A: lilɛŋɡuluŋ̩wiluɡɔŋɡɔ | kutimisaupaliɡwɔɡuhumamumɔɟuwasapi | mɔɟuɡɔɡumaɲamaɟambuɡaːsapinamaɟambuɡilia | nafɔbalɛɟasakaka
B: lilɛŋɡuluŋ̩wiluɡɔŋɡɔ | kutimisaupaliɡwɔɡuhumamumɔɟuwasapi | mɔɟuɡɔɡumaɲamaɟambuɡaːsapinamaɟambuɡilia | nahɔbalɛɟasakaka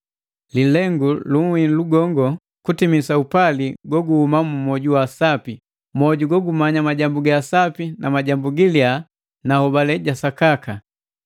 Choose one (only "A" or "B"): B